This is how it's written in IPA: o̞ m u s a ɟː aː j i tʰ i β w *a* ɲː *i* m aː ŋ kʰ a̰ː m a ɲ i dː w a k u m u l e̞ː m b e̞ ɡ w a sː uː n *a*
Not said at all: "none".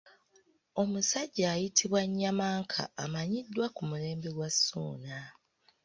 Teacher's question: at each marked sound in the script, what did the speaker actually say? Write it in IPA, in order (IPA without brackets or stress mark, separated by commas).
a, a, a